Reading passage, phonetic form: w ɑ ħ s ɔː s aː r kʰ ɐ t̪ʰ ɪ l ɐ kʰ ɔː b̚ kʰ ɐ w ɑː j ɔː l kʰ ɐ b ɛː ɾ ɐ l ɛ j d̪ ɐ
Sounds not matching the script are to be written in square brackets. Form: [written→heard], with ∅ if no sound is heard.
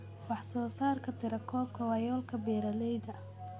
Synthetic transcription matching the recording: w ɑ ħ s ɔː s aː r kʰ ɐ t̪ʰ ɪ [l→ɾ] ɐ kʰ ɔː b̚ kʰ ɐ w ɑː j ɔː l kʰ ɐ b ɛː ɾ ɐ l ɛ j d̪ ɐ

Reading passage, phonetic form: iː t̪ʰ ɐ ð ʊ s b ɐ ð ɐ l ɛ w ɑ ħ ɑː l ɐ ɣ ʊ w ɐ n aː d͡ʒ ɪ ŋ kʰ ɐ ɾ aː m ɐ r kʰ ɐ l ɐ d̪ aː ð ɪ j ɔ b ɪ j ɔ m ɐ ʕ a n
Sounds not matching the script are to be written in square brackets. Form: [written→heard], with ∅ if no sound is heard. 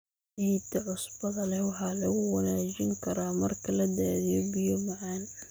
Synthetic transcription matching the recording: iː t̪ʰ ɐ [ð→ʕ] ʊ s b ɐ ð ɐ l ɛ w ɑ ħ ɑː l ɐ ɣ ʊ w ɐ n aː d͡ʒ ɪ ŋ kʰ ɐ ɾ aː m ɐ r kʰ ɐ l ɐ d̪ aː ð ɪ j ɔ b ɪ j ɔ m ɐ ʕ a n

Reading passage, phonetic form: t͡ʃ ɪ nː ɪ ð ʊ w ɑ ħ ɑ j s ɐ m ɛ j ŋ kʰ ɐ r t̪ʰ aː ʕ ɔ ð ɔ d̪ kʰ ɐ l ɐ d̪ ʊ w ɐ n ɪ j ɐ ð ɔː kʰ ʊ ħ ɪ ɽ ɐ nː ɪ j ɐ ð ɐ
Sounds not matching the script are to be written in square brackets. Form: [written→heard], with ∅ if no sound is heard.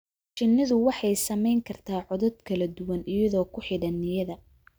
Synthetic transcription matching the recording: t͡ʃ ɪ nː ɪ ð ʊ w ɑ ħ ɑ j s ɐ m ɛ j ŋ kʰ ɐ r t̪ʰ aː ʕ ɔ ð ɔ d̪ kʰ ɐ l ɐ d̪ ʊ w ɐ n ɪ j ɐ ð ɔː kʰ ʊ ħ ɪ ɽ ɐ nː ɪ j ɐ ð ɐ

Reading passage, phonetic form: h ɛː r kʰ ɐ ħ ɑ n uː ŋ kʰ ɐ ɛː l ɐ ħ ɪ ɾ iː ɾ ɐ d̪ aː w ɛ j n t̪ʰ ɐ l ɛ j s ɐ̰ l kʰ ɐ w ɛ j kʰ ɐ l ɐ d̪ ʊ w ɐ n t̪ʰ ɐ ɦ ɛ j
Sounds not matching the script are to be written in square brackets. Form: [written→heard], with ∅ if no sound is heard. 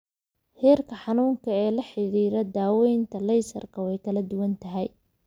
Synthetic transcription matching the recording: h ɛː r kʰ ɐ ħ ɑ n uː ŋ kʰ ɐ ɛː l ɐ ħ ɪ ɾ iː ɾ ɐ d̪ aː w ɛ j n t̪ʰ ɐ l ɛ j s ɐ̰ [l→r] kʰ ɐ w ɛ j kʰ ɐ l ɐ d̪ ʊ w ɐ n t̪ʰ ɐ ɦ ɛ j

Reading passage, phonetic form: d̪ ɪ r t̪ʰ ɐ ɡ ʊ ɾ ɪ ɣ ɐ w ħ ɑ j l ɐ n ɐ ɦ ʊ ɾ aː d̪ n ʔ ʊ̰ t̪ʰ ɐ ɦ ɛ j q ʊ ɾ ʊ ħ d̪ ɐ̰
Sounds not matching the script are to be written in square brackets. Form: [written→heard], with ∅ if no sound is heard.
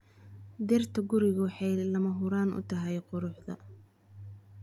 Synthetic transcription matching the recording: d̪ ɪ r t̪ʰ ɐ ɡ ʊ ɾ ɪ ɣ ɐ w ħ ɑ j l ɐ [n→m] ɐ ɦ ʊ ɾ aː [d̪→∅] n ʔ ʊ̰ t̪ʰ ɐ ɦ ɛ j q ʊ ɾ ʊ ħ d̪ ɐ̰

